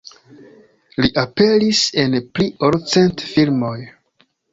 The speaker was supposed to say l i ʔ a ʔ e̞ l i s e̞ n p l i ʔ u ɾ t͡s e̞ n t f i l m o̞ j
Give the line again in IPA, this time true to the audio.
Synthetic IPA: l i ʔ a p e̞ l i s e̞ n p l i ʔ o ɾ t͡s e̞ n t f i l m o̞ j